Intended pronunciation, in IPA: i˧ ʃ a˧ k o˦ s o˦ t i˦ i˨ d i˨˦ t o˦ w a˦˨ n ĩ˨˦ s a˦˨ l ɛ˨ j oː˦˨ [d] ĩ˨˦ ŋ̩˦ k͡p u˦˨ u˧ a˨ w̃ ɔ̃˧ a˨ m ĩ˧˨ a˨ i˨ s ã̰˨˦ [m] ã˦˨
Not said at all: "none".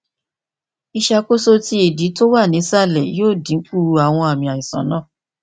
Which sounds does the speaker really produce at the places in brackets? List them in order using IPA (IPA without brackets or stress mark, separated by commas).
d, n